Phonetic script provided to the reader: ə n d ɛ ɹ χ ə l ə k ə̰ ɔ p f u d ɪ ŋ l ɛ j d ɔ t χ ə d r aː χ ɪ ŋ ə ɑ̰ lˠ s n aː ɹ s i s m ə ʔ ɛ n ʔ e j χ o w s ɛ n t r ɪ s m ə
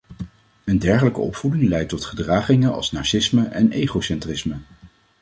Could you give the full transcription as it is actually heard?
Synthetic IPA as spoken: ə n d ɛ ɹ χ ə l ə k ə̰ ɔ p f u d ɪ ŋ l ɛ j t ɔ t χ ə d r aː χ ɪ ŋ ə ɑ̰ lˠ s n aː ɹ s ɪ s m ə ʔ ɛ n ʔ e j χ o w s ɛ n t r ɪ s m ə